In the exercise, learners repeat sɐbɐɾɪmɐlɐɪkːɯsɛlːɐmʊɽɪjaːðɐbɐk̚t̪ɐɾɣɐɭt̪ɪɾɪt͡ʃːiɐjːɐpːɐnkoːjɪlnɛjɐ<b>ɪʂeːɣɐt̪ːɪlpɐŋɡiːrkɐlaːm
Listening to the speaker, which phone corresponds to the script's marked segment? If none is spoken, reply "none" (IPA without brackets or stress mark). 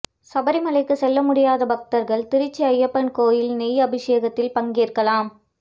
b